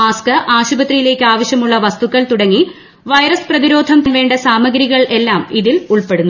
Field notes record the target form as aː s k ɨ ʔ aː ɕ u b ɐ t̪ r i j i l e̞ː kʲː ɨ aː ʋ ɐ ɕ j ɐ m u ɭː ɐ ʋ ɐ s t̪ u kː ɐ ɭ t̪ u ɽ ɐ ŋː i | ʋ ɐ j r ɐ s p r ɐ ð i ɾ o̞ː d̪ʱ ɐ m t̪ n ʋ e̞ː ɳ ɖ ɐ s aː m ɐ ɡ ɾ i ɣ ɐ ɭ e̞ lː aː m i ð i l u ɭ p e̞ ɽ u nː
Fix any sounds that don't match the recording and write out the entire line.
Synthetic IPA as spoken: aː s k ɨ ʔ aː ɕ u b ɐ t̪ r i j i l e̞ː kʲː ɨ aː ʋ ɐ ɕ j ɐ m u ɭː ɐ ʋ ɐ s t̪ u kː ɐ ɭ t̪ u ɽ ɐ ŋː i | ʋ ɐ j ɾ ɐ s p r ɐ ð i ɾ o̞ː d̪ʱ ɐ m t̪ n ʋ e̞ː ɳ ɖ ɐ s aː m ɐ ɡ ɾ i ɣ ɐ ɭ e̞ lː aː m i ð i l u ɭ p e̞ ɽ u nː